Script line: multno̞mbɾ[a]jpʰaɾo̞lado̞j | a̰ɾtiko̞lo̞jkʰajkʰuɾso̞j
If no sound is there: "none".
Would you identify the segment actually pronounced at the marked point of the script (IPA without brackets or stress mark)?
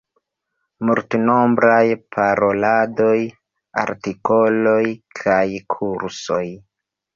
a